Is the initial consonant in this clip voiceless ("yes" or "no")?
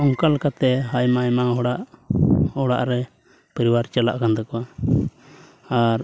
no